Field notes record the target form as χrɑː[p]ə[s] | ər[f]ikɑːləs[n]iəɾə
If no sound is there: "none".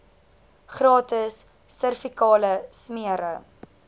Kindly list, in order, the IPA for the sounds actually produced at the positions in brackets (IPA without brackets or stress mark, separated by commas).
t, sː, f, m